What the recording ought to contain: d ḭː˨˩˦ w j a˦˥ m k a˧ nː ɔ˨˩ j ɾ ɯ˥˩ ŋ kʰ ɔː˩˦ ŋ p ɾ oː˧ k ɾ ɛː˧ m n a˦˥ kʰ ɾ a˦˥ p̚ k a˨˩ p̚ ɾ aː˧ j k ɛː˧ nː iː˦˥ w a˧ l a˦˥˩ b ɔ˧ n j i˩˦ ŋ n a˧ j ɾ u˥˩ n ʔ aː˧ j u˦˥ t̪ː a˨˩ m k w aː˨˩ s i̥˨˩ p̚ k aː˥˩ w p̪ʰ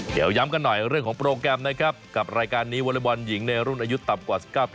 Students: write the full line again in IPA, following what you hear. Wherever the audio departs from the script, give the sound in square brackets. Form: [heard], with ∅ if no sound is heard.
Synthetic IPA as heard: d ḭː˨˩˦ w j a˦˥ m k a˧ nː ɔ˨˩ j ɾ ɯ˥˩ ŋ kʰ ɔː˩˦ ŋ p ɾ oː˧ k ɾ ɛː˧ m n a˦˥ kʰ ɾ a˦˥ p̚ k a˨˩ p̚ ɾ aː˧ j k [aː˧] nː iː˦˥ w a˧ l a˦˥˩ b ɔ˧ n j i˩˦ ŋ n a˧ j ɾ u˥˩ n ʔ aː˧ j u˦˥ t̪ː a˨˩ m k w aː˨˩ s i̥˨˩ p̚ k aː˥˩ w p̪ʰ